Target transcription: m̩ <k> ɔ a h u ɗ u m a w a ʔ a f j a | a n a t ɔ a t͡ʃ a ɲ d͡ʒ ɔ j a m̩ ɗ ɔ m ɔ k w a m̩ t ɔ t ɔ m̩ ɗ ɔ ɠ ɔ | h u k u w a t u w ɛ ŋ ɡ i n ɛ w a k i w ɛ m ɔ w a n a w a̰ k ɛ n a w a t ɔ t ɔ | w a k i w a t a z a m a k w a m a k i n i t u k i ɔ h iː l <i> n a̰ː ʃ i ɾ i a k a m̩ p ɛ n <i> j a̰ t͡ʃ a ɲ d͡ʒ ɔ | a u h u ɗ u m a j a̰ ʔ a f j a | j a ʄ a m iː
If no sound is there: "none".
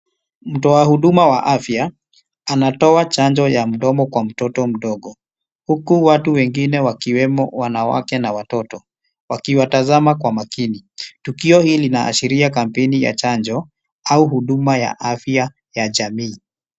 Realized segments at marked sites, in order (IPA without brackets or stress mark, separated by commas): t, i, i